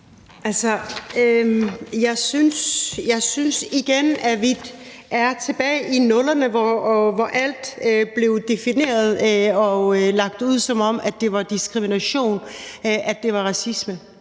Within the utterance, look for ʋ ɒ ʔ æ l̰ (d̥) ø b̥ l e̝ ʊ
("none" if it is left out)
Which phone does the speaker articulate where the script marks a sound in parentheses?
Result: d̥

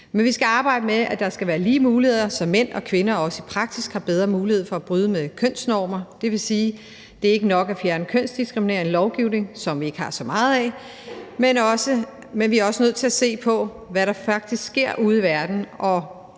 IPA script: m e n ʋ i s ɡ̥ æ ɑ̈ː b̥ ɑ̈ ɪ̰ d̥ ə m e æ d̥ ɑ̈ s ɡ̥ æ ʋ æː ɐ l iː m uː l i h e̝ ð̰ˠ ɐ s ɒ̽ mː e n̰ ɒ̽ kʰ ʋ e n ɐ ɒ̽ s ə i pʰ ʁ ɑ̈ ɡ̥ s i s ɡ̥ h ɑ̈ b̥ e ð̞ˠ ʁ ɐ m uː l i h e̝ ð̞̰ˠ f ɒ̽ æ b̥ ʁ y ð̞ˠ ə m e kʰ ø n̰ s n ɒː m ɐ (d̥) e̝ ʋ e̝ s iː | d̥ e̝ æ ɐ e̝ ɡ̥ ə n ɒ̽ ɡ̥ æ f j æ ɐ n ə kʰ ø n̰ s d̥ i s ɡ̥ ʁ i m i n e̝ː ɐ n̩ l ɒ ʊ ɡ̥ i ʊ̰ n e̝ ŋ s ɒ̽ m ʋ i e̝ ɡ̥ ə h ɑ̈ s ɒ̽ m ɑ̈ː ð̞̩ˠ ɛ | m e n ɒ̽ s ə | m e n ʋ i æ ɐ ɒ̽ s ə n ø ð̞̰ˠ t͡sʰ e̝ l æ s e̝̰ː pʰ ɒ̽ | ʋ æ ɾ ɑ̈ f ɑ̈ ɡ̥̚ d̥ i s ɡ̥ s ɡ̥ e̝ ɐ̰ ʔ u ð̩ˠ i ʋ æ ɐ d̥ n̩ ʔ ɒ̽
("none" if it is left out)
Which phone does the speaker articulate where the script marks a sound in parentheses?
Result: d̥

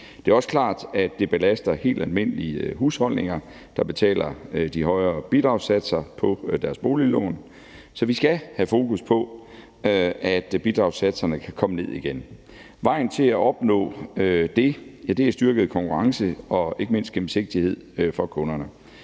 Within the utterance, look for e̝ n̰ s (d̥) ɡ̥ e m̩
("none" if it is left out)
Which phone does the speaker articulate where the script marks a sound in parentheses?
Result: d̥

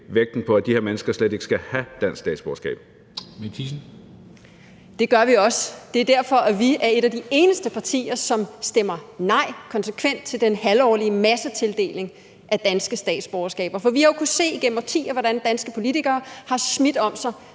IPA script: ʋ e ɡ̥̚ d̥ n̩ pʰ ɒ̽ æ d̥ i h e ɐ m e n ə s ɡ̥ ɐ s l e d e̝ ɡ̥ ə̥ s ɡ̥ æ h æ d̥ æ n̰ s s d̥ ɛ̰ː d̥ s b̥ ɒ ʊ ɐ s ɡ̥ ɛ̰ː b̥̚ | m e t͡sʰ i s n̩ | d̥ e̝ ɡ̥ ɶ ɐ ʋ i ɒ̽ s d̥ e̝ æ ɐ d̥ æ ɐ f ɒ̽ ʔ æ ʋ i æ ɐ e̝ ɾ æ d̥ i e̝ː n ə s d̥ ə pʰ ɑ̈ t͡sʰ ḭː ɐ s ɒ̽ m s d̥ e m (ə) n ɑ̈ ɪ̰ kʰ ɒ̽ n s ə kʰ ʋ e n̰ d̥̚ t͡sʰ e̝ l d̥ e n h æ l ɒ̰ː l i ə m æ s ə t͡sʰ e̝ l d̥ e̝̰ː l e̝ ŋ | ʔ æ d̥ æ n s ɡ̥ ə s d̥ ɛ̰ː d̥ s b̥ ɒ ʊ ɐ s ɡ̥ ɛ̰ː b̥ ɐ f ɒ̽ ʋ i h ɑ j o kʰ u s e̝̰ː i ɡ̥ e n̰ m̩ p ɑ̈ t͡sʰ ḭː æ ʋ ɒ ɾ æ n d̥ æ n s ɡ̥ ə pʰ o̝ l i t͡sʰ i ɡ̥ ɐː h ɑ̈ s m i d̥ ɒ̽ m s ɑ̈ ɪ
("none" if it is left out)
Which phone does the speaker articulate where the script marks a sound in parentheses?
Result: ɐ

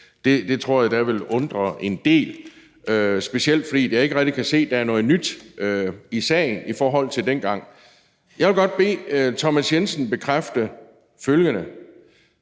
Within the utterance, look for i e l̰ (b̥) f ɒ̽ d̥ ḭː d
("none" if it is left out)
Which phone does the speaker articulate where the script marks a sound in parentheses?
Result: d̥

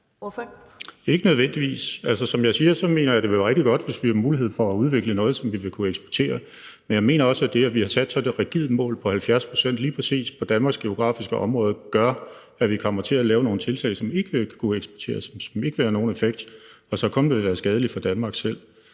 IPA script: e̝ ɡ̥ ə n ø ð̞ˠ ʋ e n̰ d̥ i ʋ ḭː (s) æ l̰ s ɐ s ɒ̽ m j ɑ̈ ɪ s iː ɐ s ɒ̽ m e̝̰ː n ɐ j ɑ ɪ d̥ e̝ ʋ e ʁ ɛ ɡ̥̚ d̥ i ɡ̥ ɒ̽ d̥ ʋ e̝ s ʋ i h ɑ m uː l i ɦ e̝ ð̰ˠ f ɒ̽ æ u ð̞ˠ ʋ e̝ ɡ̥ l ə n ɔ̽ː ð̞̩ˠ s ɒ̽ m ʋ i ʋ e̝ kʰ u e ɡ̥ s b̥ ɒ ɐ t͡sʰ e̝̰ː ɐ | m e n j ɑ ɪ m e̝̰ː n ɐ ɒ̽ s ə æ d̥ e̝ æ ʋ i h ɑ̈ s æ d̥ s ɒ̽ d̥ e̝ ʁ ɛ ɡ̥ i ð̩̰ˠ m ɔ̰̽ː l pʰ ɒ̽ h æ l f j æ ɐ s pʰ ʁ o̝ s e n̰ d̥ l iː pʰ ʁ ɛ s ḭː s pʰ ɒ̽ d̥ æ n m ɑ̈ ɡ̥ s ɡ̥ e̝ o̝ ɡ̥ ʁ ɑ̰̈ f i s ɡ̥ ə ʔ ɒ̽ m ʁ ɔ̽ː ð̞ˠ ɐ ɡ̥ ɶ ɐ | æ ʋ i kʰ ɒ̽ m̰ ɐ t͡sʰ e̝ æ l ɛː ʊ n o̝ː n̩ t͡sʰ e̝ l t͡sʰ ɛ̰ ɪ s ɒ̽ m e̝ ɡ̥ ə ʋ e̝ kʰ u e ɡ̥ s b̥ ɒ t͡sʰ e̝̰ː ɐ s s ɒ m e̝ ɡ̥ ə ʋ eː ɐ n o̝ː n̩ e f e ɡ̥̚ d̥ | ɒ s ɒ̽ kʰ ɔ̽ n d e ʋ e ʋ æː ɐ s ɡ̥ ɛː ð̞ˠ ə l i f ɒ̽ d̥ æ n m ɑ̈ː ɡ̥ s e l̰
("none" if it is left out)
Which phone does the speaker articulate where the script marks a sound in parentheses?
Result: s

